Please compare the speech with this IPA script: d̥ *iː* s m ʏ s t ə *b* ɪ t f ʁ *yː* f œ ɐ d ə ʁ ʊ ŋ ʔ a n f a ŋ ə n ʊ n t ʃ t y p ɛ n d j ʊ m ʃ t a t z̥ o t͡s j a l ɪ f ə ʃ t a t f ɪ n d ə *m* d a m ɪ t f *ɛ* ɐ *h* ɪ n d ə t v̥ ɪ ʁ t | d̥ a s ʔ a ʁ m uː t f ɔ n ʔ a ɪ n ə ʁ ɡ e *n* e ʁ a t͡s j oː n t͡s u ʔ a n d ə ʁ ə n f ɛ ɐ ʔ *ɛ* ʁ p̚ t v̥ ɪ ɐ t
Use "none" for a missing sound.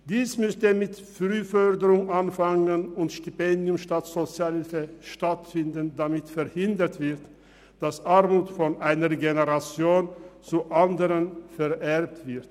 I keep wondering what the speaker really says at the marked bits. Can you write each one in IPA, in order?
iː, m, yː, n, ɛ, h, n, ɛ

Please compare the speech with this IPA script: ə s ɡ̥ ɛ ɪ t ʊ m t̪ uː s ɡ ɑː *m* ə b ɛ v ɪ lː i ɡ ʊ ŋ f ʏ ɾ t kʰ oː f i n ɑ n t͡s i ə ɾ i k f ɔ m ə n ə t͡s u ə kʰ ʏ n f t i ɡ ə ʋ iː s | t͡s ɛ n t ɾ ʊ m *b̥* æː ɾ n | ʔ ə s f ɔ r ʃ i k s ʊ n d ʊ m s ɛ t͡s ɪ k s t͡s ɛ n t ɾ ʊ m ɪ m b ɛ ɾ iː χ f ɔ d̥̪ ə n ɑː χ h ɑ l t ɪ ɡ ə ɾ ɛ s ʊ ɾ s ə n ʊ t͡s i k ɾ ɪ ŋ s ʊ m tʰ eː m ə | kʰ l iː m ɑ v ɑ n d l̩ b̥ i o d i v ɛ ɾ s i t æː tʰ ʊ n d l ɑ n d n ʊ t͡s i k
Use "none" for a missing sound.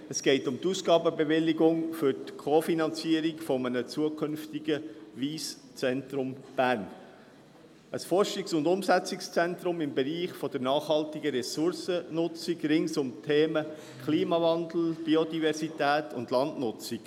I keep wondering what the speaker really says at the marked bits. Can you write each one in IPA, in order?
b, b̥

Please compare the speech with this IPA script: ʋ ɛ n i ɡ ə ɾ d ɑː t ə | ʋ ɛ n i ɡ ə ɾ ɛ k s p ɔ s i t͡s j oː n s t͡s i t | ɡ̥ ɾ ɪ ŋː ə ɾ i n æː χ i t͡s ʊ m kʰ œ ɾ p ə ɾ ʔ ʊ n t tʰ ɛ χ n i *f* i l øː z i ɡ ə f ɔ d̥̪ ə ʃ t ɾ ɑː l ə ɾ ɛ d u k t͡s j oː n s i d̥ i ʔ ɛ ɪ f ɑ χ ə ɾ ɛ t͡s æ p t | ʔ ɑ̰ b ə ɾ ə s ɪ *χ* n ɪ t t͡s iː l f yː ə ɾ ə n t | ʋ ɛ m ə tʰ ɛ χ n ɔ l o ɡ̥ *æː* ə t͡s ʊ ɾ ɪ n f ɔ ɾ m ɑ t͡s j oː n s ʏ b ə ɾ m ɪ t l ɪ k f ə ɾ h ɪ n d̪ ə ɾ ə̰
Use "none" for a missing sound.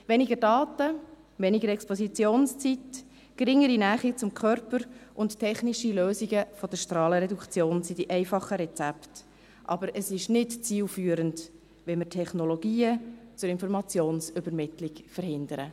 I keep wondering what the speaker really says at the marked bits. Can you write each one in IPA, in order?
ʃ, ʃ, iː

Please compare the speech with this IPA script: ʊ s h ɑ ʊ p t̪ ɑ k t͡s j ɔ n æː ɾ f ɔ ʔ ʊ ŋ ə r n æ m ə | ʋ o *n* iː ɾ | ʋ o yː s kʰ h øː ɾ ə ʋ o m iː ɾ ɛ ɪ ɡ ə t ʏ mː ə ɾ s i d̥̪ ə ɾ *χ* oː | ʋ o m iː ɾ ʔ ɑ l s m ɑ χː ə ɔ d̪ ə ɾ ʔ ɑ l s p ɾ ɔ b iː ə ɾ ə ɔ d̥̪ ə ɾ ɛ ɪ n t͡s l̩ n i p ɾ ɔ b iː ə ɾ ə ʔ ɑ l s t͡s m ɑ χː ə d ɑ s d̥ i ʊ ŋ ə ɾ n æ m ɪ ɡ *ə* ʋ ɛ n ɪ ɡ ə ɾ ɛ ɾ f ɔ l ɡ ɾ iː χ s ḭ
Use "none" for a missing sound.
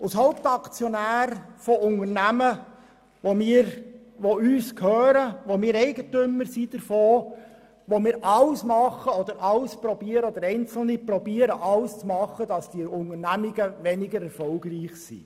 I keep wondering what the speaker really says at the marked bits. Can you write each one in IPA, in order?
m, f, ə

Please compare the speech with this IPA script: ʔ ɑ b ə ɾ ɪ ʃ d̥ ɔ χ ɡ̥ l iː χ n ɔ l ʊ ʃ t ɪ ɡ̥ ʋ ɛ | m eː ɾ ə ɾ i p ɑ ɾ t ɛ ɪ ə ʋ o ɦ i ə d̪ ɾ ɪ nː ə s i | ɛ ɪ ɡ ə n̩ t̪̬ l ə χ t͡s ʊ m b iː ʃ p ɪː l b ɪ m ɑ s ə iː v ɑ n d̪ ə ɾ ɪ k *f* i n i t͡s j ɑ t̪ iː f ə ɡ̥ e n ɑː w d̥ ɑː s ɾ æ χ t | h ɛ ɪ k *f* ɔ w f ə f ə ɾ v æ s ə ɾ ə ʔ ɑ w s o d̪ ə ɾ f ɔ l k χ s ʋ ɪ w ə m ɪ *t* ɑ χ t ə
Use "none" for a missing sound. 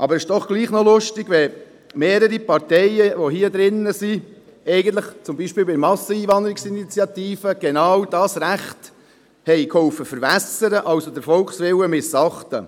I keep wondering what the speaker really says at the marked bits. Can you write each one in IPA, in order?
s, h, s

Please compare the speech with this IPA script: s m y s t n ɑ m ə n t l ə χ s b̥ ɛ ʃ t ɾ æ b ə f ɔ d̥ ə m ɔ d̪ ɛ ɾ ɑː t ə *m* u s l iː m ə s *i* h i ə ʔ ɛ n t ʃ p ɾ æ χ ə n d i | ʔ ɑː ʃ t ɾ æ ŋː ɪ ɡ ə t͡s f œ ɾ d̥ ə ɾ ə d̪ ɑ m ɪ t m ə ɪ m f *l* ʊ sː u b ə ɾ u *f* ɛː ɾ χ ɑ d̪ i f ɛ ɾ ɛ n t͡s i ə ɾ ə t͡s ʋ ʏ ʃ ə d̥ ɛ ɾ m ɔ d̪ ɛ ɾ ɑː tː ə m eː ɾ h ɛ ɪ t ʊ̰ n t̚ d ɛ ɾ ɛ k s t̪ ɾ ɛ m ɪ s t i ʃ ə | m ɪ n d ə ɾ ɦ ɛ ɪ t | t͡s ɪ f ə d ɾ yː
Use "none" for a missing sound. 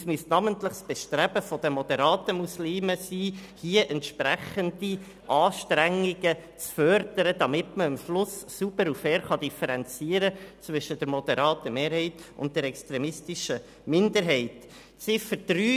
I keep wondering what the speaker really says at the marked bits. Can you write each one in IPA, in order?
m, iː, l, f

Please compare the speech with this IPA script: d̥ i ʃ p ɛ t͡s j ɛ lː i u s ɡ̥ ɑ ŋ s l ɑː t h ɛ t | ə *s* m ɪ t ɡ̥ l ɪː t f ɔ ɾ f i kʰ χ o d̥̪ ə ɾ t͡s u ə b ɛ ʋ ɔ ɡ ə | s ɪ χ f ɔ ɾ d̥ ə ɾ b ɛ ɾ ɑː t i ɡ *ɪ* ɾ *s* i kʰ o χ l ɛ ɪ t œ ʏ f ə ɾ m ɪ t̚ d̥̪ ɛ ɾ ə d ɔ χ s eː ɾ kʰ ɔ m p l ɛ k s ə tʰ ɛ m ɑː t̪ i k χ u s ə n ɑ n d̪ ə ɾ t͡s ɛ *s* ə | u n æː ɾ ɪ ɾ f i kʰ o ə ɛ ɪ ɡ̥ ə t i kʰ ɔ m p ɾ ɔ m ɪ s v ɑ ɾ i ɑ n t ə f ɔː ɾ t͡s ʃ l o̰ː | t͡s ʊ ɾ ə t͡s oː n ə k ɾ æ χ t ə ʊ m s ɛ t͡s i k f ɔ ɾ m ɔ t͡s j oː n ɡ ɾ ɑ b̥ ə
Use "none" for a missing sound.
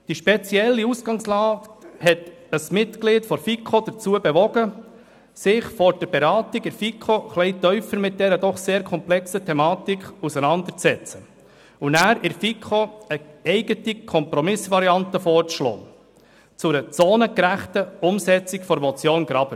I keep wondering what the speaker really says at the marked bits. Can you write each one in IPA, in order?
s, ɪ, f, t͡s

